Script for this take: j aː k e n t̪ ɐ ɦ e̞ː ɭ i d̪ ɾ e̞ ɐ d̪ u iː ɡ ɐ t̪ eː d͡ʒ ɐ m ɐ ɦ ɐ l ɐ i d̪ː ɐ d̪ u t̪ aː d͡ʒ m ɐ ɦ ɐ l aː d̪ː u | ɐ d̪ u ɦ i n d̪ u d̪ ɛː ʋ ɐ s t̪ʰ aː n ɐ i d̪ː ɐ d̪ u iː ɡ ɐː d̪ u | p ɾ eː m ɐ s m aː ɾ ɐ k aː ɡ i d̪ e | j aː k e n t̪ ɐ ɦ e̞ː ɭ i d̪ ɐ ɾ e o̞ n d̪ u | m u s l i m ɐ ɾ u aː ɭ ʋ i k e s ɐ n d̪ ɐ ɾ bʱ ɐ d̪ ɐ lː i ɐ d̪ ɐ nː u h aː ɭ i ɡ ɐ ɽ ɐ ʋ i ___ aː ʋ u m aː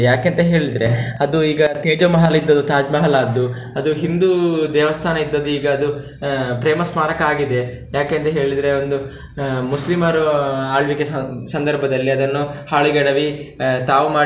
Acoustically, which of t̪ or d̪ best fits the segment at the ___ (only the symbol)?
t̪